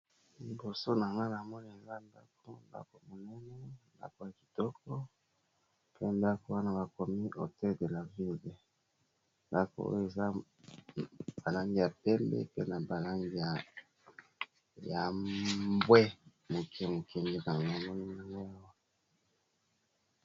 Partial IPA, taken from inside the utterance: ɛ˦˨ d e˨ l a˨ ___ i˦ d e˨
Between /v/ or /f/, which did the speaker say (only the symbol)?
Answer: v